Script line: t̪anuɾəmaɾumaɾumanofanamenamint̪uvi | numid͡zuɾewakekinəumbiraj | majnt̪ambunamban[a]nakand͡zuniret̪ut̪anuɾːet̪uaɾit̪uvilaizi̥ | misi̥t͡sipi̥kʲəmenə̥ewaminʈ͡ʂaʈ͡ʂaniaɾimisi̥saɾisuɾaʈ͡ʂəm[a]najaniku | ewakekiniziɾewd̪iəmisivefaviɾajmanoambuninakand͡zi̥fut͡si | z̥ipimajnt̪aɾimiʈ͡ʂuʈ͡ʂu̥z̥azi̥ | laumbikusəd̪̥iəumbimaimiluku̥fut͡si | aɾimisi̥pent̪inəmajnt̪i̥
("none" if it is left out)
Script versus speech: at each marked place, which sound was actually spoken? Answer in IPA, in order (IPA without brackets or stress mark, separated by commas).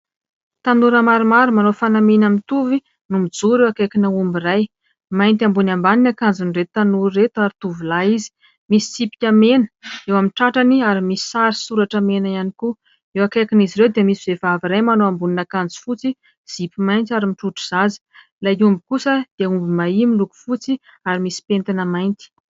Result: i, e